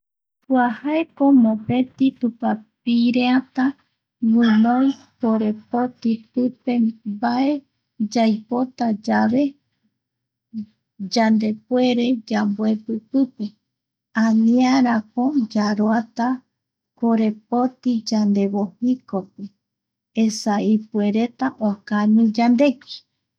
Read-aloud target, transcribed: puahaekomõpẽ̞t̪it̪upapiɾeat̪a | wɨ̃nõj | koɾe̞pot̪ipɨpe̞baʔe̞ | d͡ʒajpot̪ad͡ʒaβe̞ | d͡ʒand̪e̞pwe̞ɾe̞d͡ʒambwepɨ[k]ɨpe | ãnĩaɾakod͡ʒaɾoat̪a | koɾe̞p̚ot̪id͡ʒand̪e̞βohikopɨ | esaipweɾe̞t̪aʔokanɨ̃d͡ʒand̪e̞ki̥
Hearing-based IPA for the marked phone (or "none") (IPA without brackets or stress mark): p